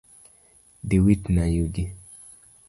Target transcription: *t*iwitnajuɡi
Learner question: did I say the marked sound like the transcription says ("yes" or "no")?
no